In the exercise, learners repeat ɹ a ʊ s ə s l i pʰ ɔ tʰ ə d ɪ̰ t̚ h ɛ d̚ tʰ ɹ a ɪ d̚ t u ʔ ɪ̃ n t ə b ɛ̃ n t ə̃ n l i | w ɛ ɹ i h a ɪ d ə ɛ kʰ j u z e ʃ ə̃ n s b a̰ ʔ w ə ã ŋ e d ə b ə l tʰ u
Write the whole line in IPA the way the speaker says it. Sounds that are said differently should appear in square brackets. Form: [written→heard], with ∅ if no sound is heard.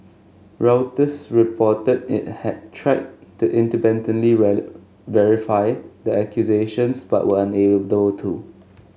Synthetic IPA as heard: ɹ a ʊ [s→t] ə s [l→ɹ] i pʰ ɔ [tʰ→t] ə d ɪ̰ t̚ h ɛ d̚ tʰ ɹ a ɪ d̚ t u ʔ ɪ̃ n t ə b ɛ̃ n t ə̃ n l i | [w→v] ɛ ɹ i [h→f] a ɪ d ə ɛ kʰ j u z e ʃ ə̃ n s b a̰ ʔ w ə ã [ŋ→n] e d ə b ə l tʰ u